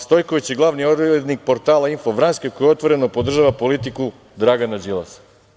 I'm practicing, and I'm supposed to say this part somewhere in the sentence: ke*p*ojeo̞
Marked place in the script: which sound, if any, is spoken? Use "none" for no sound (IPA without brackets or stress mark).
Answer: k